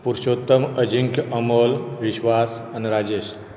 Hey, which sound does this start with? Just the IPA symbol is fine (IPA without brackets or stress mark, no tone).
p